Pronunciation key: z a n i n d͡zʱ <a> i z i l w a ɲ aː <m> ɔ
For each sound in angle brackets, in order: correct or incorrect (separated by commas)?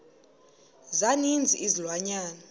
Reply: incorrect, incorrect